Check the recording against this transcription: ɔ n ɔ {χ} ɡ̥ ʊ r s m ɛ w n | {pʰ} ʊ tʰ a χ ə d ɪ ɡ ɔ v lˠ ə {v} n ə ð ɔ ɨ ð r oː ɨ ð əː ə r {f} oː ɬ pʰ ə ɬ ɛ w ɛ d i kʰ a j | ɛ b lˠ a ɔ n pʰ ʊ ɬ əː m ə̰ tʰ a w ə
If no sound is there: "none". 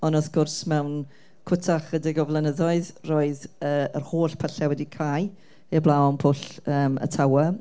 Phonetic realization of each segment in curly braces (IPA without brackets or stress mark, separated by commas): θ, kʰ, none, h